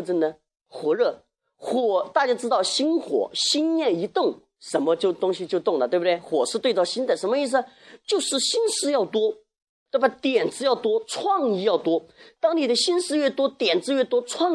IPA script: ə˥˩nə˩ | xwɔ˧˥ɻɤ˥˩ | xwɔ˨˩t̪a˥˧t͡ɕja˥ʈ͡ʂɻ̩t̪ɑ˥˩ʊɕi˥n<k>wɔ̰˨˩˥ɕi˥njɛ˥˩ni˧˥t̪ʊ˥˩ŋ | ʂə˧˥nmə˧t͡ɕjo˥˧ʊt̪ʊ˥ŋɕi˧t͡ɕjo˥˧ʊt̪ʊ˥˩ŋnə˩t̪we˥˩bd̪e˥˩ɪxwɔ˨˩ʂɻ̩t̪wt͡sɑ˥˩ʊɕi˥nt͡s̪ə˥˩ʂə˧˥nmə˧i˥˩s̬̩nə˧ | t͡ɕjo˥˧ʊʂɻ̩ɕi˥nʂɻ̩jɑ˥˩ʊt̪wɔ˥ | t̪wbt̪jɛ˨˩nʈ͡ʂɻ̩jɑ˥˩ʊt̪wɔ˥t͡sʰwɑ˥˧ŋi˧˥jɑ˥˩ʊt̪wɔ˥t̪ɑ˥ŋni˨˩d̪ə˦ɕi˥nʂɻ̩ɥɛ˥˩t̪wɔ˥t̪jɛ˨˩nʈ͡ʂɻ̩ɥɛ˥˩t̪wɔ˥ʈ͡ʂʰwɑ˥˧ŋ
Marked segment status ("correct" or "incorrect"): incorrect